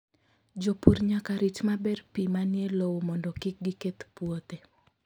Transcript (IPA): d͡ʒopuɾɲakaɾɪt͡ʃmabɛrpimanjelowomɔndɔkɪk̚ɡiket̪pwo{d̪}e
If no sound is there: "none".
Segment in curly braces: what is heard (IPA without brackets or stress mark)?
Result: t̪